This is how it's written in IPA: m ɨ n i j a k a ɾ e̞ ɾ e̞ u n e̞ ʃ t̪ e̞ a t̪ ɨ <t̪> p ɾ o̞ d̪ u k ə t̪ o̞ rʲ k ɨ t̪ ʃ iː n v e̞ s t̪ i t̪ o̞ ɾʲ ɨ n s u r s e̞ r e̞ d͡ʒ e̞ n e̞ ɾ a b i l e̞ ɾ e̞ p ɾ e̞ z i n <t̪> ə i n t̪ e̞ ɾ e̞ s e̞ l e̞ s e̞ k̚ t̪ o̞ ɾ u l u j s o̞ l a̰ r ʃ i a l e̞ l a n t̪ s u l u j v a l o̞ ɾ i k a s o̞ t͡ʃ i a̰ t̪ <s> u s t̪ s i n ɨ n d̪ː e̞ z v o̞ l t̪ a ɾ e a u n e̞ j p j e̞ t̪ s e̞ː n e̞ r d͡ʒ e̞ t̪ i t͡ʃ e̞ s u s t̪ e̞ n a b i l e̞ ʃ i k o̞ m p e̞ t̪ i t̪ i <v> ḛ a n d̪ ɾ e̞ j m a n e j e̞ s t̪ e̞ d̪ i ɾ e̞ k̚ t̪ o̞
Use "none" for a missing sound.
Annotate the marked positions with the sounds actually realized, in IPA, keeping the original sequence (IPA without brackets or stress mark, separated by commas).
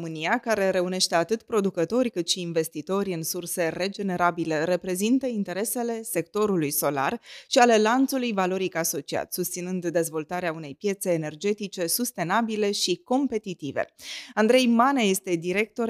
t̪, t̪, s, v